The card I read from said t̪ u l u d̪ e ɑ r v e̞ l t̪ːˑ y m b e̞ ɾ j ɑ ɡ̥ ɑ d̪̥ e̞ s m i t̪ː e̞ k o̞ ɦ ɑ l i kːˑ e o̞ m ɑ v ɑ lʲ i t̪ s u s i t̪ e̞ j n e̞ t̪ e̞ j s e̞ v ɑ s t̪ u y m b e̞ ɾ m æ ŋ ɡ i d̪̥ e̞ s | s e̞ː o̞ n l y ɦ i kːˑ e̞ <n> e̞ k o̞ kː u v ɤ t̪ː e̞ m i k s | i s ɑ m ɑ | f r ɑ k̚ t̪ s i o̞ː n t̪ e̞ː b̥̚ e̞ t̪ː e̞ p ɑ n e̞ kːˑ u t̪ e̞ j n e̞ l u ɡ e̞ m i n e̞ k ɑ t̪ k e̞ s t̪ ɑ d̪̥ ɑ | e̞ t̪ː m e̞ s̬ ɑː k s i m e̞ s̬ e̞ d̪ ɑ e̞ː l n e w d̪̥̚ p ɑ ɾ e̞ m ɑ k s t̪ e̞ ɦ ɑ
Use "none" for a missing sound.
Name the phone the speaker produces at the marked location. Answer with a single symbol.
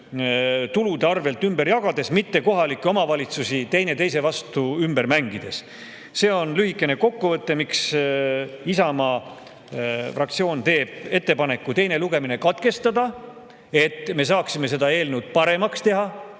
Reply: n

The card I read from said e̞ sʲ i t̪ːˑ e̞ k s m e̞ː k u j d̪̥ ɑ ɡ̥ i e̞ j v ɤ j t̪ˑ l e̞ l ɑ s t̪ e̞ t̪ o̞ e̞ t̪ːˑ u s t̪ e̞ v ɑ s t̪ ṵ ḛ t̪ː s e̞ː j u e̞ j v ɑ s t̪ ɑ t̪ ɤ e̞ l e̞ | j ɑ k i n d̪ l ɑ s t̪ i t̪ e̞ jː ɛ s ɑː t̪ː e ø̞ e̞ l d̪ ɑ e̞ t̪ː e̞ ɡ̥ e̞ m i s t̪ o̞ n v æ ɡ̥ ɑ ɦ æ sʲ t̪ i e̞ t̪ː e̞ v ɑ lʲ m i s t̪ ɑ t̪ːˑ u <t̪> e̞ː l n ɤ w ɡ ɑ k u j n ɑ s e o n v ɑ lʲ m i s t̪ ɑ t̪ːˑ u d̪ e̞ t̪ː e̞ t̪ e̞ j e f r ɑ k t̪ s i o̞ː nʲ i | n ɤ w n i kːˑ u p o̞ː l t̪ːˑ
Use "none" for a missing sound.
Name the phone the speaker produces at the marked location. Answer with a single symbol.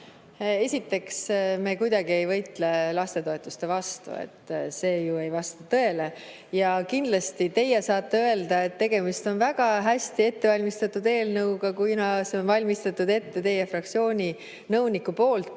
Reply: d̪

